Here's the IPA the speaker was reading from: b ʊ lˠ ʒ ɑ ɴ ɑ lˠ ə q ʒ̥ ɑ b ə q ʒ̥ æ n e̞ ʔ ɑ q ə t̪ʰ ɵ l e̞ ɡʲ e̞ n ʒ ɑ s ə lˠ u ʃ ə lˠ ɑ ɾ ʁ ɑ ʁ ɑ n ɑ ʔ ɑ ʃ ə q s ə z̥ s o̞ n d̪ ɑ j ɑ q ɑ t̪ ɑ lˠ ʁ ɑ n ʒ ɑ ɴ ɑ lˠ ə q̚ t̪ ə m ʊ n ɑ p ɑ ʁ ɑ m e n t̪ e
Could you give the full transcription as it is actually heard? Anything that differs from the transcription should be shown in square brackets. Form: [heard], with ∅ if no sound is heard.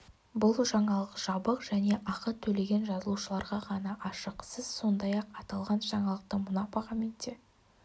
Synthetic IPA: b ʊ lˠ ʒ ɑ ɴ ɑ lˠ ə q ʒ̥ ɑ b ə q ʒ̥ æ n e̞ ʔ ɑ q ə t̪ʰ ɵ l e̞ ɡʲ e̞ n ʒ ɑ [z] ə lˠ u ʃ ə lˠ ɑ ɾ ʁ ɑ ʁ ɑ n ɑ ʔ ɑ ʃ ə q s ə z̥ s o̞ n d̪ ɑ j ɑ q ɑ t̪ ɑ lˠ ʁ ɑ n ʒ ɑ ɴ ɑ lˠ ə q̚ t̪ ə m ʊ n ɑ p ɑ ʁ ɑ m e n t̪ e